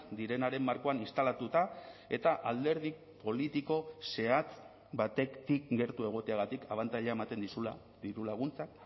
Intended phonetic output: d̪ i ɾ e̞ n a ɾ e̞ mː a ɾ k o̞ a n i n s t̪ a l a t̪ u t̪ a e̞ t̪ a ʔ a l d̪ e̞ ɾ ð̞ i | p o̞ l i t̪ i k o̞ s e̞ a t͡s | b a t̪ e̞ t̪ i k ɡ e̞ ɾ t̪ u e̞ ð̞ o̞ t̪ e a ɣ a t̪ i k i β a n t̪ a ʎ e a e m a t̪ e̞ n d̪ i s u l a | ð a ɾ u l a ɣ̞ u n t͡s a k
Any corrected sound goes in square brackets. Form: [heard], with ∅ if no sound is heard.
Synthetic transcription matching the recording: d̪ i ɾ e̞ n a ɾ e̞ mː a ɾ k o̞ a n i n s t̪ a l a t̪ u t̪ a e̞ t̪ a ʔ a l d̪ e̞ ɾ ð̞ i | p o̞ l i t̪ i k o̞ s e̞ a t͡s | b a t̪ e̞ t̪ i k ɡ e̞ ɾ t̪ u e̞ [ɣ̞] o̞ t̪ e a ɣ a t̪ i k [a] β a n t̪ a ʎ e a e m a t̪ e̞ n d̪ i s u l a | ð [i] ɾ u l a ɣ̞ u n t͡s a k

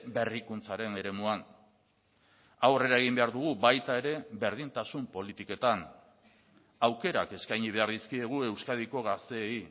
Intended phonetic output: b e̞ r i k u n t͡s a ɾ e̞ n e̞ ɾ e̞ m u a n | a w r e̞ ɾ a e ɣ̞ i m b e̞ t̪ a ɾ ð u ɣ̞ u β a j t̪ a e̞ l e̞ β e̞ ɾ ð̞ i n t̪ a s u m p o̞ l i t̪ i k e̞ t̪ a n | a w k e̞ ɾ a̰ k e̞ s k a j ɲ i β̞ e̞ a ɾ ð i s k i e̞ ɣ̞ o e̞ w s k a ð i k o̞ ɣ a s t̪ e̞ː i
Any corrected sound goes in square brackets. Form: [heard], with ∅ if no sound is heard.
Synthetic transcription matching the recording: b e̞ r i k u n t͡s a ɾ e̞ n e̞ ɾ e̞ m u a n | a w r e̞ ɾ a e ɣ̞ i m b e̞ [∅] a ɾ ð u ɣ̞ u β a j t̪ a e̞ [ɾ] e̞ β e̞ ɾ ð̞ i n t̪ a s u m p o̞ l i t̪ i k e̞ t̪ a n | a w k e̞ ɾ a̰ k e̞ s k a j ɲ i β̞ e̞ a ɾ ð i s k i e̞ ɣ̞ [u] e̞ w s k a ð i k o̞ ɣ a s t̪ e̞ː i

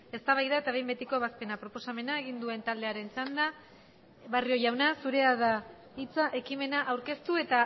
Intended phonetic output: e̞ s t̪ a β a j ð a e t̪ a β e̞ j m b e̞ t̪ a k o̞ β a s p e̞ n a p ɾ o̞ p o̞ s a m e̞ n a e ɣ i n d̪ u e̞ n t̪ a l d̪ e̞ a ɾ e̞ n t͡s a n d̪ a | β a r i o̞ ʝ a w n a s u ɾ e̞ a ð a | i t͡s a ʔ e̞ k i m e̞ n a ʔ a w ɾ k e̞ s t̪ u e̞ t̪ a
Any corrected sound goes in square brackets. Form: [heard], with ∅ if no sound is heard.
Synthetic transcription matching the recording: e̞ s t̪ a β a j ð a e t̪ a β e̞ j m b e̞ t̪ [i] k o̞ β a s p e̞ n a p ɾ o̞ p o̞ s a m e̞ n a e ɣ i n d̪ u e̞ n t̪ a l d̪ e̞ a ɾ e̞ n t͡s a n d̪ a | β a r i o̞ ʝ a w n a s u ɾ e̞ a ð a | i t͡s a ʔ e̞ k i m e̞ n a ʔ a w ɾ k e̞ s t̪ u e̞ t̪ a

